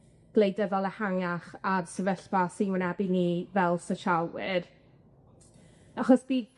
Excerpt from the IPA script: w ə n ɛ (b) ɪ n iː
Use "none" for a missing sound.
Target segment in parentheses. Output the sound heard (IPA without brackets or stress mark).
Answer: b